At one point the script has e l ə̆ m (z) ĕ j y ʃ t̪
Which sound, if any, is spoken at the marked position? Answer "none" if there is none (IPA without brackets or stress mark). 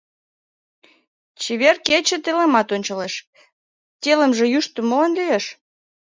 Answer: ʒ